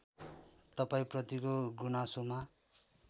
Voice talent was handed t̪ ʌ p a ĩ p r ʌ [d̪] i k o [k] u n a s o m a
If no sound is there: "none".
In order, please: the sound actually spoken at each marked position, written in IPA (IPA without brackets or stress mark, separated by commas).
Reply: t̪, ɡ